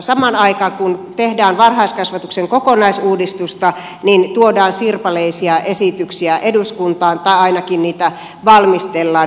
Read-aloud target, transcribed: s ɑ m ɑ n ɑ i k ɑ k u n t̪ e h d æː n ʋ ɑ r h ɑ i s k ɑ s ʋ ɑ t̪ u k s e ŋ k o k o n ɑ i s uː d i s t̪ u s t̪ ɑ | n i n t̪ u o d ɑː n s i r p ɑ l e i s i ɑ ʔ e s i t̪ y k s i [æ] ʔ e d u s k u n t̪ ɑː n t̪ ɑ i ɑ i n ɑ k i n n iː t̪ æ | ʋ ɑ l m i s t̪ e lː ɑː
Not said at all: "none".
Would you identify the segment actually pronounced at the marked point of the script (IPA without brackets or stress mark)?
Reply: æ